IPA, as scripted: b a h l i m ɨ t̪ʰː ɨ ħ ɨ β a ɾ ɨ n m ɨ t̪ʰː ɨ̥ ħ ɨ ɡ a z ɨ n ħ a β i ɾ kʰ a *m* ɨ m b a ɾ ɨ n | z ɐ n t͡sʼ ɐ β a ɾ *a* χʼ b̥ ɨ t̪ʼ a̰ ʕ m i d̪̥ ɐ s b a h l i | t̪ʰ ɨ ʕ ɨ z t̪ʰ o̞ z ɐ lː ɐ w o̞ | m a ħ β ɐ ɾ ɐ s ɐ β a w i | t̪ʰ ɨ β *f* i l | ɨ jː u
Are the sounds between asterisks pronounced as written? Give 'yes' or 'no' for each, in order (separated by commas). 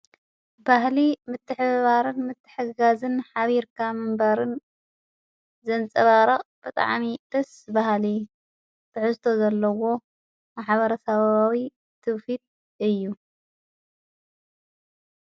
yes, no, yes